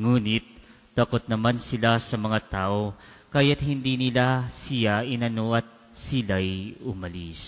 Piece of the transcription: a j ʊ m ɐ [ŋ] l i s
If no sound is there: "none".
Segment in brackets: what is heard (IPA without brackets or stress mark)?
none